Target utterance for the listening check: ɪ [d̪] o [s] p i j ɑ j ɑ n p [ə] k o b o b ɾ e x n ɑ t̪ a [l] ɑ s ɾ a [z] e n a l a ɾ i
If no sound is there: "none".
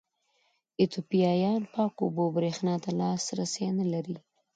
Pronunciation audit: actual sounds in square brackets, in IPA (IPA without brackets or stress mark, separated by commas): t̪, none, ɑ, l, s